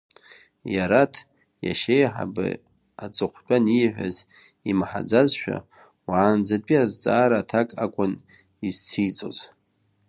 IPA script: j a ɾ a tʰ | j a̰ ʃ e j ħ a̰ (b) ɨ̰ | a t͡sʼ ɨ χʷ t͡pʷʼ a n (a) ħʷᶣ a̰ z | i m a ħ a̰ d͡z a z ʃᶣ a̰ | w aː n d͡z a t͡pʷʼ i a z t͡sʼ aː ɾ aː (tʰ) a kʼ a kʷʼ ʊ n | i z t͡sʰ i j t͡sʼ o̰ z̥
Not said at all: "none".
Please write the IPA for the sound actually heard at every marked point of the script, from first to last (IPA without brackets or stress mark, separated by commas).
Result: b, i, tʰ